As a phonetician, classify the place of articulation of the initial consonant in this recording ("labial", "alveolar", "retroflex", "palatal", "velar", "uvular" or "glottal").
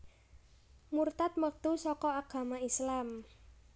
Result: labial